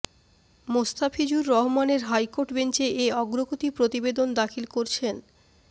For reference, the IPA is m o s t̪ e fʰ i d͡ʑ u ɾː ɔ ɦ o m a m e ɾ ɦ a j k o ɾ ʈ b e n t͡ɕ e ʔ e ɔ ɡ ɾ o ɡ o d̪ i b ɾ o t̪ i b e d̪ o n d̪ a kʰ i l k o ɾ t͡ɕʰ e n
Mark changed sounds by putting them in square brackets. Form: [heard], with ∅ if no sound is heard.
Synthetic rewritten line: m o s t̪ [a] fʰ i d͡ʑ u ɾː ɔ ɦ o m a [n] e ɾ ɦ a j k o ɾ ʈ b e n t͡ɕ e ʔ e ɔ ɡ ɾ o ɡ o [t̪] i [p] ɾ o t̪ i b e d̪ o n d̪ a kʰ i l k o ɾ t͡ɕʰ e n